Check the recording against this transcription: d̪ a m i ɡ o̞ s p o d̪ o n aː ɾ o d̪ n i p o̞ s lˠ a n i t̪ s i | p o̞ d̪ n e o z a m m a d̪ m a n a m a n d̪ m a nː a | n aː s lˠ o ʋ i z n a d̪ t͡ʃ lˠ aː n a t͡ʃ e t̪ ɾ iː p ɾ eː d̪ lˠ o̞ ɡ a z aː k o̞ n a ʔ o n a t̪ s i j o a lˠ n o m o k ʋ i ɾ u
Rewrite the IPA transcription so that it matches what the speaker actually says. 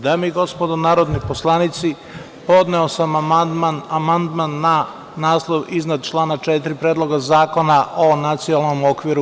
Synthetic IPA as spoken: d̪ a m i ɡ o̞ s p o d̪ o n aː ɾ o d̪ n i p o̞ s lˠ a n i t̪ s i | p o̞ d̪ n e o s a m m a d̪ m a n a m a n d̪ m a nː a | n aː s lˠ o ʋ i z n a d̪ t͡ʃ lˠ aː n a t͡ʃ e t̪ ɾ i p ɾ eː d̪ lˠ o̞ ɡ a z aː k o̞ n a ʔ o n a t̪ s i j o a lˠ n o m o k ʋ i ɾ u